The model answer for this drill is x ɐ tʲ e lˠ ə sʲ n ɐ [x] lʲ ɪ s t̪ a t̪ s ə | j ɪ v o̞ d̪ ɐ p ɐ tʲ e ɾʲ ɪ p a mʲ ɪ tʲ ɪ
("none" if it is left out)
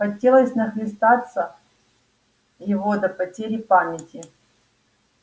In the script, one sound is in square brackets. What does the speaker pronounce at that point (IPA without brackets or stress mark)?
x